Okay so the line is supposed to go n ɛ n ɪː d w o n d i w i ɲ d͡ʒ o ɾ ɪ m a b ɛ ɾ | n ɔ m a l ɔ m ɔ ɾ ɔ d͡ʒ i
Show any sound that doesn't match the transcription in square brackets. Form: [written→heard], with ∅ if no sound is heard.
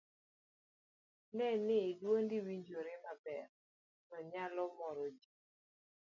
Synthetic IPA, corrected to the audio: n ɛ n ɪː d w o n d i w i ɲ d͡ʒ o ɾ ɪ m a b ɛ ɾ | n ɔ [m→ɲ] a l ɔ m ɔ ɾ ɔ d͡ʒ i